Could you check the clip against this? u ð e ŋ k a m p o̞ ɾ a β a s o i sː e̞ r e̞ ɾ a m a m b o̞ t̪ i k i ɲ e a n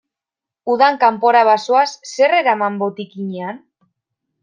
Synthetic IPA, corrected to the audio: u ð a ŋ k a m p o̞ ɾ a β a s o a sː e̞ r e̞ ɾ a m a m b o̞ t̪ i k i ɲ e a n